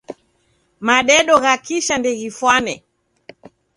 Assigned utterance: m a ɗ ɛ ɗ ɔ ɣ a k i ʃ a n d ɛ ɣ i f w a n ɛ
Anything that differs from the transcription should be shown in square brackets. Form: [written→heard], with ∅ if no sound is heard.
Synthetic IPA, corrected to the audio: m a ɗ ɛ ɗ ɔ ɣ a k i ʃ a n d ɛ ɣ i f w a n ɛ